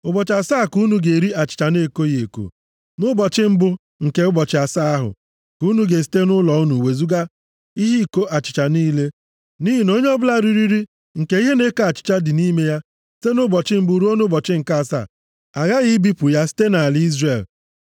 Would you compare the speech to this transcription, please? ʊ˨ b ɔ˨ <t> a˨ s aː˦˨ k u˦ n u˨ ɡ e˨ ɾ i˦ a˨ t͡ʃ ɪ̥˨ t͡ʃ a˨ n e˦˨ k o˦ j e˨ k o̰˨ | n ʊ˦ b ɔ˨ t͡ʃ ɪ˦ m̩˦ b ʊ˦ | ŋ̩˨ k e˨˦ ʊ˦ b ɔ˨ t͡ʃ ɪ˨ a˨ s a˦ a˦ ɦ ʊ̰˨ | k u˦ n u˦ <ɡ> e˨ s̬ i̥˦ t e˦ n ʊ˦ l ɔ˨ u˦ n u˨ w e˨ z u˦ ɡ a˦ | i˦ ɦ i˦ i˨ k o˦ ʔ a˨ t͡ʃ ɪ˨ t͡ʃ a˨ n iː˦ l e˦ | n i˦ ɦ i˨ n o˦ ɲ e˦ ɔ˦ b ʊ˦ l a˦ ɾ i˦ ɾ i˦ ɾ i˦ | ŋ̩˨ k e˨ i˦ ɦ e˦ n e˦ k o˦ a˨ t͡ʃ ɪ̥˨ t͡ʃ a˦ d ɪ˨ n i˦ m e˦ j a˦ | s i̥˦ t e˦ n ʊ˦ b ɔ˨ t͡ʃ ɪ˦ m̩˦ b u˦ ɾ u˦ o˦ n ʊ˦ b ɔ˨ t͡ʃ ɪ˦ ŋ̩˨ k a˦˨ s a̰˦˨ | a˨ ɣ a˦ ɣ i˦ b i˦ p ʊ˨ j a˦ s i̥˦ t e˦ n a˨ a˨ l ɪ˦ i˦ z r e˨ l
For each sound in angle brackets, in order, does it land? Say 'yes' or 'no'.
no, yes

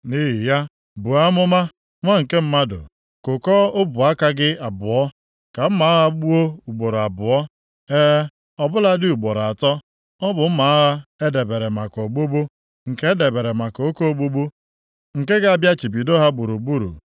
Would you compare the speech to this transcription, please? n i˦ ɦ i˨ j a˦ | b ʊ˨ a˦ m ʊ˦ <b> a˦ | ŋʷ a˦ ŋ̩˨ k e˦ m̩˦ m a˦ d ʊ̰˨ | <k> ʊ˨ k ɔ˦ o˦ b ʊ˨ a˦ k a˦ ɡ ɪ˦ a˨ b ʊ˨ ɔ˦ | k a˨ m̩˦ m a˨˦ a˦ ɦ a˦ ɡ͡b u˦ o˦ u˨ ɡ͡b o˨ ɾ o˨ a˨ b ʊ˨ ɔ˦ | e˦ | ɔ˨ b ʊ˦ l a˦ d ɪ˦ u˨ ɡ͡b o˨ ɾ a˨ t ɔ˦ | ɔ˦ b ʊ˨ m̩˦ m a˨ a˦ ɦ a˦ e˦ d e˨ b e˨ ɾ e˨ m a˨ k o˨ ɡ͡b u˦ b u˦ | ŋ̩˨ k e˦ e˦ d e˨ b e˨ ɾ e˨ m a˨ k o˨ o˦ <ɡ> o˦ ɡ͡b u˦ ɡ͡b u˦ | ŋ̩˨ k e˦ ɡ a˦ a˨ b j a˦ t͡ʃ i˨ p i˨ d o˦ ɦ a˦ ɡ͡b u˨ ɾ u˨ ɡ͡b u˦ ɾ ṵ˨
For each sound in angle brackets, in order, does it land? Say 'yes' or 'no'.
no, yes, no

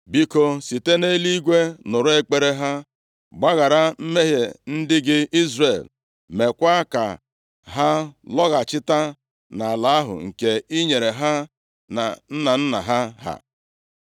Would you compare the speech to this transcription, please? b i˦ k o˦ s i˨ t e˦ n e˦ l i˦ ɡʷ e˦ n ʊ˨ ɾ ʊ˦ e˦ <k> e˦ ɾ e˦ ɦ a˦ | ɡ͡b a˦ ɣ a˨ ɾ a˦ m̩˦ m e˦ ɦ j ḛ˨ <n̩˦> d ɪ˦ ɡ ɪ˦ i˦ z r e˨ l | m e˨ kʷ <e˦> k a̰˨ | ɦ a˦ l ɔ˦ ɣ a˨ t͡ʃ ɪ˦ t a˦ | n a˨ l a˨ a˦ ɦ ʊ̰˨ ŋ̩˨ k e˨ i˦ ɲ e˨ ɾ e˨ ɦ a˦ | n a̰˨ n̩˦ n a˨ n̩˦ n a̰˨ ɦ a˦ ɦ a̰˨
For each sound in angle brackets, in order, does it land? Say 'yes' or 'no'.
no, yes, no

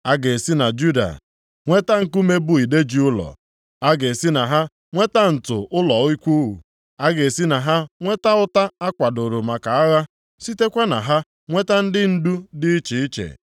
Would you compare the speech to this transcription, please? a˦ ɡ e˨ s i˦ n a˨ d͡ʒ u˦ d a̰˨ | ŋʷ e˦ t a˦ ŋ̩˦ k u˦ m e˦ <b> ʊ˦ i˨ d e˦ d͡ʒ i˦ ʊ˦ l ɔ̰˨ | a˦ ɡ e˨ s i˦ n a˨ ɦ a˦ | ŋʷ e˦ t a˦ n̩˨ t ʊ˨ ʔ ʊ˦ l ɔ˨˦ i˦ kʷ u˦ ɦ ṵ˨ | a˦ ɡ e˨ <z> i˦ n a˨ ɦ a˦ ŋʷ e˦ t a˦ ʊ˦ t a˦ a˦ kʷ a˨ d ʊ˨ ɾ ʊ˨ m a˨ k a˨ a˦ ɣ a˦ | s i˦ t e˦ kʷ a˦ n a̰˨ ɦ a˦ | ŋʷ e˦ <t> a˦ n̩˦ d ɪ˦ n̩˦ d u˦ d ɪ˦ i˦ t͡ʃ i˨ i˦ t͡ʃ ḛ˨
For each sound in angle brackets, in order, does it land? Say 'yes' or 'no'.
yes, no, yes

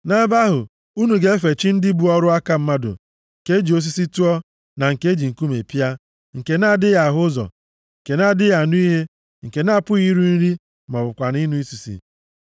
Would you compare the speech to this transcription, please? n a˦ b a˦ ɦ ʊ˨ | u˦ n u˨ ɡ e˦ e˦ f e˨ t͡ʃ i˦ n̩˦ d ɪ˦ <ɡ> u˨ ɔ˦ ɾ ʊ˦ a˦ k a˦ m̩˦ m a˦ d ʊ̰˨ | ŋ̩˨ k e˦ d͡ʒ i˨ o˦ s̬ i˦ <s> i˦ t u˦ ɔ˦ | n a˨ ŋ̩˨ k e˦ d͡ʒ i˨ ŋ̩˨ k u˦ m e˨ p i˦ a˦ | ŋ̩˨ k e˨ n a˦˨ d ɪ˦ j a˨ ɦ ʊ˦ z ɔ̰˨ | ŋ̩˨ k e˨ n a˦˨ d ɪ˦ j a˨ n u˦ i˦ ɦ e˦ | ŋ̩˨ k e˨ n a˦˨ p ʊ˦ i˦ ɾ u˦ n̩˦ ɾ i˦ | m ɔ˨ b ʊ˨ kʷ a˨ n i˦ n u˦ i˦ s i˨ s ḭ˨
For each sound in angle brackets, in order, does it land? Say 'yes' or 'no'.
no, yes

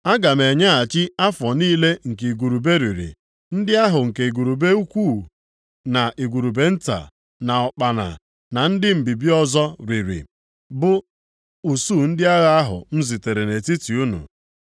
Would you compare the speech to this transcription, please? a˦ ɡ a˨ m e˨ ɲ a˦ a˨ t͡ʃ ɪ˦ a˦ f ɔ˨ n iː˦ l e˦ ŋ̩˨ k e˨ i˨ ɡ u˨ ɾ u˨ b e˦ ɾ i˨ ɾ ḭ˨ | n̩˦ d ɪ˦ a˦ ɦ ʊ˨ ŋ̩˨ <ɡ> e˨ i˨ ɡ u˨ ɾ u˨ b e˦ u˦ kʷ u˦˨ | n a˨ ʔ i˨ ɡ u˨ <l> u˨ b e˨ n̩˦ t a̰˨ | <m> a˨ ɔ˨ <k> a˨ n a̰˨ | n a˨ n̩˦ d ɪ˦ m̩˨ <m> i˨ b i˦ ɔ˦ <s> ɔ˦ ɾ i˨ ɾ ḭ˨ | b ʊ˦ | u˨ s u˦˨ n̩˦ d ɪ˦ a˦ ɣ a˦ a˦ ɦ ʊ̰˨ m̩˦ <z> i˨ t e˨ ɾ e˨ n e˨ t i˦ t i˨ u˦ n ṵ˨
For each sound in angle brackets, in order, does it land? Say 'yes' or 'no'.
no, no, no, no, no, no, yes

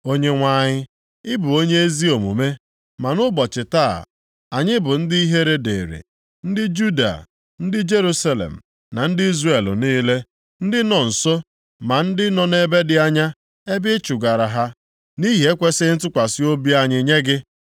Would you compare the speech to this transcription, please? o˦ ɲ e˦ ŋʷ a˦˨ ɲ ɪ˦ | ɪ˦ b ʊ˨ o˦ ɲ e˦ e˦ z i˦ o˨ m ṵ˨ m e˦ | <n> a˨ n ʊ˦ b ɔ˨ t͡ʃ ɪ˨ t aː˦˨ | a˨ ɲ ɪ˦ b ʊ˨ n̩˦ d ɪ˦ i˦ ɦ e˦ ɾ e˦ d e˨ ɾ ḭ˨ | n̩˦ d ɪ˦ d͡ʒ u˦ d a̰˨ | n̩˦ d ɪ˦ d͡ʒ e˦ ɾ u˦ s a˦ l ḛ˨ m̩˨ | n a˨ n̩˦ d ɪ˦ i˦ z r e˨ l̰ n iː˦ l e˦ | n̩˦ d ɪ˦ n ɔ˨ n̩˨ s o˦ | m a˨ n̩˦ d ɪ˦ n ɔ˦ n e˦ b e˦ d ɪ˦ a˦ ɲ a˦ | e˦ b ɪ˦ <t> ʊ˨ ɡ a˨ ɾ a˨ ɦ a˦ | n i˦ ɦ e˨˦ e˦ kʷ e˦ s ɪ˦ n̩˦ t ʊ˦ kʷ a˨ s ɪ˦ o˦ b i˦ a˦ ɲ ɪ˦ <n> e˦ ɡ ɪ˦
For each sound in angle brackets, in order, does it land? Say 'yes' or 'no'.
no, no, no

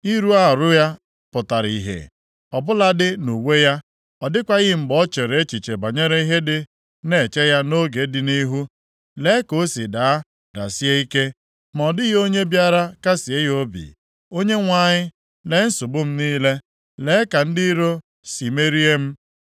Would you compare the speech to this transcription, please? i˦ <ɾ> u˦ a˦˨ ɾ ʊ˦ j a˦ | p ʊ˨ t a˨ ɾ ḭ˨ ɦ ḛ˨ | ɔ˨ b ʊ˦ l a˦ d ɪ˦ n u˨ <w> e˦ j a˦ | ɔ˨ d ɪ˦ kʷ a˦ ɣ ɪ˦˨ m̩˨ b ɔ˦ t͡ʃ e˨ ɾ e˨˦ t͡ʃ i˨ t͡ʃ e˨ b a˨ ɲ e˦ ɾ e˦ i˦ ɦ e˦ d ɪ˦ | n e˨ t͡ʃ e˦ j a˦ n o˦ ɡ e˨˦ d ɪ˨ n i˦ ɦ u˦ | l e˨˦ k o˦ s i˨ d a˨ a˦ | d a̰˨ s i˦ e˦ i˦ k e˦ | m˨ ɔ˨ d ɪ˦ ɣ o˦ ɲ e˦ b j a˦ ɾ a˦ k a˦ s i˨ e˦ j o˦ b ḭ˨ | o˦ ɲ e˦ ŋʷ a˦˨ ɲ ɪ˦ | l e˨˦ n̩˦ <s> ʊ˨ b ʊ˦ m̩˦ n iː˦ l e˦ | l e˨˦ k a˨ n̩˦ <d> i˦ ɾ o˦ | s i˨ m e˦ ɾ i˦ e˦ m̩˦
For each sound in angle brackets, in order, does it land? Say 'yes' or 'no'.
yes, yes, yes, yes

